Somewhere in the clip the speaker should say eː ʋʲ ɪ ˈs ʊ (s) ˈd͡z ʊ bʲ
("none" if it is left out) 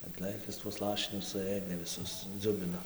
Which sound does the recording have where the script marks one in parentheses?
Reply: s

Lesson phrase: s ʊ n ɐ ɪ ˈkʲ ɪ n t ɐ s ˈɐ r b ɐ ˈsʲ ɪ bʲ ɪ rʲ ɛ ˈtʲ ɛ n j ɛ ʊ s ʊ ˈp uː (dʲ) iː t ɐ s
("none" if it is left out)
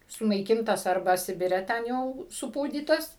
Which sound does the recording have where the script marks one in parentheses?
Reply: dʲ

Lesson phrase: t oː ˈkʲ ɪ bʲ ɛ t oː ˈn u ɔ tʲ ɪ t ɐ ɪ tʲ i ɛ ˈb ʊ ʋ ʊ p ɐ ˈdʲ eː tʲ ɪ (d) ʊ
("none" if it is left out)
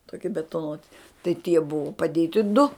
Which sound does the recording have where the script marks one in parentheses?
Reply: d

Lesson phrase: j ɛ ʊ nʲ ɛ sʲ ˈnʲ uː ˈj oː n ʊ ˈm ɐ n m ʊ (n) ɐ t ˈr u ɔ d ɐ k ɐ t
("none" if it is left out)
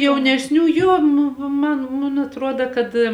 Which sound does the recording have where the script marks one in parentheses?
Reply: n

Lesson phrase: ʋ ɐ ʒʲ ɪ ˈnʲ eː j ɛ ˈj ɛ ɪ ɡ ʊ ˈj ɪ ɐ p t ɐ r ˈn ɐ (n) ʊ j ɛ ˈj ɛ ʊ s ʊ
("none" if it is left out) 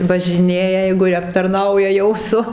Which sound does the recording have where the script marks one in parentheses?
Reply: none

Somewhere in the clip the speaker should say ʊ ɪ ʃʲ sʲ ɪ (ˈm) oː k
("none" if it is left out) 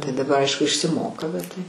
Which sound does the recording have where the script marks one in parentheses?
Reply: m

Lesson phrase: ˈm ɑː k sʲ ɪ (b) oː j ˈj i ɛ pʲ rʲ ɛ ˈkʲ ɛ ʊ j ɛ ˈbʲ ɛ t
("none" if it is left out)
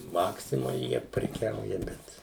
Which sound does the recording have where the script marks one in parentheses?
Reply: m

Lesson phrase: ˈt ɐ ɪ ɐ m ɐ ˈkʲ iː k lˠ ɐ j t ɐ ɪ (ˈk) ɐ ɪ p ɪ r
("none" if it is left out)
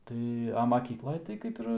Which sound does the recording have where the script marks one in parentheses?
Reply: k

